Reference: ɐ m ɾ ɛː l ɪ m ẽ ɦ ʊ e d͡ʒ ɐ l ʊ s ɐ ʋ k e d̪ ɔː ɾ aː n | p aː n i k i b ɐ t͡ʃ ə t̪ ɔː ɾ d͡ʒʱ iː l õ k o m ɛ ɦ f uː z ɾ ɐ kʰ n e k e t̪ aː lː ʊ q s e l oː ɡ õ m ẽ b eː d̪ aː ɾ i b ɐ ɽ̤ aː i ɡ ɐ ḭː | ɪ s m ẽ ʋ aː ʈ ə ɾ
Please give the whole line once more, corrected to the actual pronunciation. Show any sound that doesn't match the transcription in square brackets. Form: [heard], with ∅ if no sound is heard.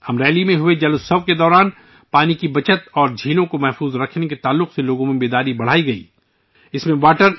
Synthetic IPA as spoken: ɐ m ɾ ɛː l [i] m ẽ ɦ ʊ e d͡ʒ ɐ l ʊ s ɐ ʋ k e d̪ ɔː ɾ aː n | p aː n i k i b ɐ t͡ʃ ə t̪ ɔː ɾ d͡ʒʱ iː l õ k o m ɛ ɦ f uː z ɾ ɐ kʰ n e k e t̪ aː lː ʊ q s e l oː ɡ õ m ẽ b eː d̪ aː ɾ i b ɐ ɽ̤ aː i ɡ ɐ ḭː | ɪ s m ẽ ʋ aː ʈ ə ɾ